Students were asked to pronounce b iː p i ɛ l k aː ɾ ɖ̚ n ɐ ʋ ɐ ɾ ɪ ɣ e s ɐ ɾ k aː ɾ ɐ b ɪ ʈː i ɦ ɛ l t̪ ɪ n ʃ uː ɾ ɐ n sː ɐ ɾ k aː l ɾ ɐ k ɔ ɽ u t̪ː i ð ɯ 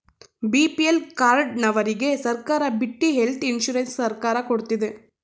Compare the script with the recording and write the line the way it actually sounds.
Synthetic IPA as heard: b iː p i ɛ l k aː ɾ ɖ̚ n ɐ ʋ ɐ ɾ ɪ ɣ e s ɐ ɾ k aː ɾ ɐ b ɪ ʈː i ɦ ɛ l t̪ ɪ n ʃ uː ɾ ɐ n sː ɐ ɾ k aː ɾ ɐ k ɔ ɽ ɯ t̪ː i ð ɯ